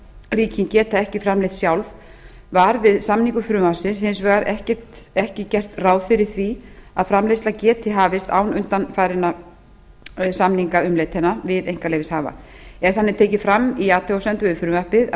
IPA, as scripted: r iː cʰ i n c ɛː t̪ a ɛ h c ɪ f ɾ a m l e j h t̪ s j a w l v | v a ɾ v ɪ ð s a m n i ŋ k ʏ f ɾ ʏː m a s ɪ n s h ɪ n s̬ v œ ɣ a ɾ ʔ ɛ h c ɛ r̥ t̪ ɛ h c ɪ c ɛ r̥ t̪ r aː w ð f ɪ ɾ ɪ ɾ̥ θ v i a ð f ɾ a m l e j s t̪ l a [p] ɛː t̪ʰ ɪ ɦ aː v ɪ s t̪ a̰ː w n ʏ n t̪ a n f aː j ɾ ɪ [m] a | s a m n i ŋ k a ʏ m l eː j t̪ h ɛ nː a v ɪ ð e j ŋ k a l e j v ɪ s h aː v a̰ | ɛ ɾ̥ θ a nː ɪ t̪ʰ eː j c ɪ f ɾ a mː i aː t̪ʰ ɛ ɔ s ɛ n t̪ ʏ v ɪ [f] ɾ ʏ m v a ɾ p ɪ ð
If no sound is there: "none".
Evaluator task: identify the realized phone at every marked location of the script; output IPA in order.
c, n, f

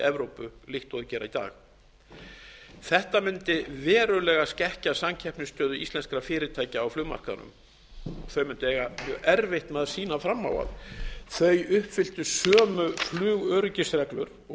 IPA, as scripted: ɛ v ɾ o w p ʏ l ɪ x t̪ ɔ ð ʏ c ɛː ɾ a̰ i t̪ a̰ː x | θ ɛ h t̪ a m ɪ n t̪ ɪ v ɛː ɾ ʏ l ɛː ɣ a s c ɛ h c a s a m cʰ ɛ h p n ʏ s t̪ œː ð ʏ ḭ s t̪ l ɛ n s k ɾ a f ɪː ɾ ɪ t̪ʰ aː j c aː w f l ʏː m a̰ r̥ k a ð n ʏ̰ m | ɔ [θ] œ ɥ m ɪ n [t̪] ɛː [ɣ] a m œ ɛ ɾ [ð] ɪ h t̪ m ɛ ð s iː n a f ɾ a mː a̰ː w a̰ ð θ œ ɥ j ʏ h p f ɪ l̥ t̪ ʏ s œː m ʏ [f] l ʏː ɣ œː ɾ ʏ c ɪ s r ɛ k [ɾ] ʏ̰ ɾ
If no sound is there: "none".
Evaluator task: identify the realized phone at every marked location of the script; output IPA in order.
θ, t̪, ɣ, v, f, l

